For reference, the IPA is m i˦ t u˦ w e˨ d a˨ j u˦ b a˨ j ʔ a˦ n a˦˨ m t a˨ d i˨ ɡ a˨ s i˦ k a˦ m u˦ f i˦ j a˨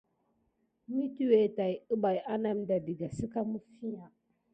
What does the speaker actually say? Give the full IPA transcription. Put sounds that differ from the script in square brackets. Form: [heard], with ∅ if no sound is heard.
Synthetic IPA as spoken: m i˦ t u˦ w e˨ [t] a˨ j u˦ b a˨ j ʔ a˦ n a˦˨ m [d] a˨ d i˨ ɡ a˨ s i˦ k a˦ m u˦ f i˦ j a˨